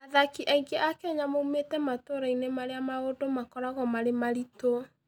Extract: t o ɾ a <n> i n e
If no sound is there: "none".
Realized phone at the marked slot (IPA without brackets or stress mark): none